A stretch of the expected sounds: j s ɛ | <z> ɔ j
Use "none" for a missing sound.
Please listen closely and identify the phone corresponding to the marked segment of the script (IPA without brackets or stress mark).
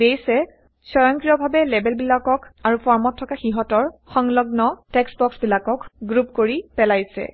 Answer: s